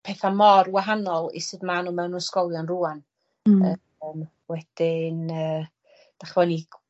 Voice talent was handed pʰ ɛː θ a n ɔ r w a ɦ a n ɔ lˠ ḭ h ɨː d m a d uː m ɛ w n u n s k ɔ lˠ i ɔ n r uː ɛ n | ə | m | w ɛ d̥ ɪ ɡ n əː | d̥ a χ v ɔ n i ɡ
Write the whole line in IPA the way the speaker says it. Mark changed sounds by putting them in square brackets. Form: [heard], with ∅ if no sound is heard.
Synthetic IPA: pʰ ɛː θ a [m] ɔ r w a ɦ a n ɔ lˠ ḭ [s] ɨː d m a [n] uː m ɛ w n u n s k ɔ lˠ [j] ɔ n r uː [a] n | ə | m | w ɛ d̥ ɪ [∅] n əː | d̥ a χ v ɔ n i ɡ